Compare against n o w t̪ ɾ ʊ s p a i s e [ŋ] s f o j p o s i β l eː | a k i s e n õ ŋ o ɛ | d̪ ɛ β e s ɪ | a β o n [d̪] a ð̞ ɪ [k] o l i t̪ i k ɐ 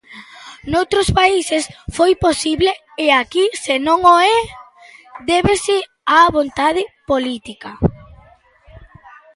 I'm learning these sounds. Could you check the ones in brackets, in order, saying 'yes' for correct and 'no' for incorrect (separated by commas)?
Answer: no, no, no